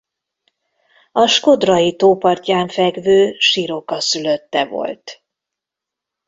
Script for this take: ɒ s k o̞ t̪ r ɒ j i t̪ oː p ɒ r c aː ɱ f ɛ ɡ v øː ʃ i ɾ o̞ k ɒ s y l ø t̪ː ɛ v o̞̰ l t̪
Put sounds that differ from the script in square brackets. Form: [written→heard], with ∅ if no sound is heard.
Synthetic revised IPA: ɒ [s→ʃ] k o̞ [t̪→d̪] r ɒ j i t̪ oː p ɒ r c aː ɱ f ɛ ɡ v øː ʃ i ɾ o̞ k ɒ s y l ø t̪ː ɛ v o̞̰ l t̪